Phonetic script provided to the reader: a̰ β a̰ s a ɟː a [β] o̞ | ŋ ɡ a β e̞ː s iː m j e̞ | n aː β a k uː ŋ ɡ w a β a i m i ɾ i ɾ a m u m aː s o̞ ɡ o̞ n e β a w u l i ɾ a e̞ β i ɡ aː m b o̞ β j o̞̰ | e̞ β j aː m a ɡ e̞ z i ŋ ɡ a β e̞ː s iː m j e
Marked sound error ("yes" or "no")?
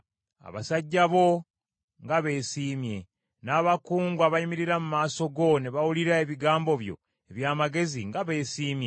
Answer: no